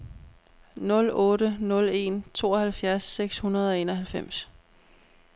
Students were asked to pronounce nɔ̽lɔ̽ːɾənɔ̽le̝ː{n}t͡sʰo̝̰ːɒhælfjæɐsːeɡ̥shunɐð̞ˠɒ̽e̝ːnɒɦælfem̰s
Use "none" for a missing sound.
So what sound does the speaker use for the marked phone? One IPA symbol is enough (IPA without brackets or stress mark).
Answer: n